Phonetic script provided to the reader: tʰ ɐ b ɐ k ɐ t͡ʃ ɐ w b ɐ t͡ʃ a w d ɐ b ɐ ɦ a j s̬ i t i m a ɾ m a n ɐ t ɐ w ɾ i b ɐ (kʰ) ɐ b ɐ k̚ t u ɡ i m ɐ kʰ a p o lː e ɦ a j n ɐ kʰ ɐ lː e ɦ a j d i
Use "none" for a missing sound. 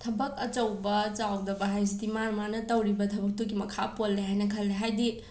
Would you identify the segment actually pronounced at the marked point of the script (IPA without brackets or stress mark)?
tʰ